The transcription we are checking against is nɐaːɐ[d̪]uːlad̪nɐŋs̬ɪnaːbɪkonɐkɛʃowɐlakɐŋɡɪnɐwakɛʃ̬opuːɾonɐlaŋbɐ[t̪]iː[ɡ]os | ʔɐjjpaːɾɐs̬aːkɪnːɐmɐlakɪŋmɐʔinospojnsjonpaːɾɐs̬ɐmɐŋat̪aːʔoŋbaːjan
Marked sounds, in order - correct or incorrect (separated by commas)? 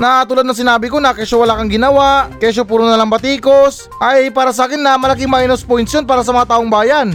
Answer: incorrect, correct, incorrect